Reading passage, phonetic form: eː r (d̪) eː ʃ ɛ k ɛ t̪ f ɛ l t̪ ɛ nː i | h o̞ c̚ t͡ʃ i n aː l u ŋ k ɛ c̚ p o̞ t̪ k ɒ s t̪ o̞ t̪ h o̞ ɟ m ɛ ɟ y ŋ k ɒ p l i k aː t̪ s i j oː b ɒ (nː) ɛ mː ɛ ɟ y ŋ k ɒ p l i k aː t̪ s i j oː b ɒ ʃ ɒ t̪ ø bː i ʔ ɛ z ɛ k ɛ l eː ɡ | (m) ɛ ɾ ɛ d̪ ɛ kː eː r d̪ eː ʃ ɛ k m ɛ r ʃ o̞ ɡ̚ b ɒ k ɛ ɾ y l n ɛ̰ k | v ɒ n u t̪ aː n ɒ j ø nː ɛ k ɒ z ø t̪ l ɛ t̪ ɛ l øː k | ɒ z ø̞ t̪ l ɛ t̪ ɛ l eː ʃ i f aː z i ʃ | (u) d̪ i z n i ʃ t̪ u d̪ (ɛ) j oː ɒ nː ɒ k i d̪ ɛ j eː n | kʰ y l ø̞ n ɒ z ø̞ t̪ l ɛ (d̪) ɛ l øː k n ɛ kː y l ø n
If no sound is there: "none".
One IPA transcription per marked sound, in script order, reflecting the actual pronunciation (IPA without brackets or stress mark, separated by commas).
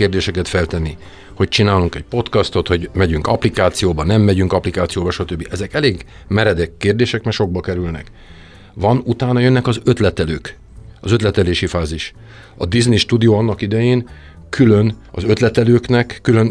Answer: d̪, n, m, ɒ, i, t̪